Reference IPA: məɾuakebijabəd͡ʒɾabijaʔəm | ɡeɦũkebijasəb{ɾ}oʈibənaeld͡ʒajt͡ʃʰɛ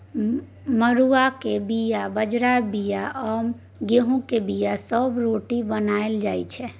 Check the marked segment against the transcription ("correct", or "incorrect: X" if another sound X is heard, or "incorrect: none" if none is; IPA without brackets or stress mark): correct